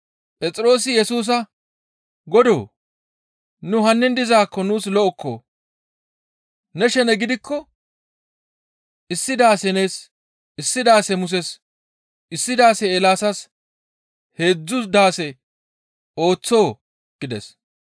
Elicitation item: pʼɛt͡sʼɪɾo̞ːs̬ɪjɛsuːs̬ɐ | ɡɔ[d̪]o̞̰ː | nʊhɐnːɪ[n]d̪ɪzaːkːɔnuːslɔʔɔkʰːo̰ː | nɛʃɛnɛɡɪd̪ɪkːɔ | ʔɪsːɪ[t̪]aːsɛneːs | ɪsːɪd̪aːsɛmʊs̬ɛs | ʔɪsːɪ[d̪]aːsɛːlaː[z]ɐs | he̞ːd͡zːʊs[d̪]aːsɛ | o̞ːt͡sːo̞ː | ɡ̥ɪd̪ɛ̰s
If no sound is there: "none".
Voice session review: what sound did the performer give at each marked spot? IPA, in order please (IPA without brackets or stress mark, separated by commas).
d̪, n, d̪, d̪, s, d̪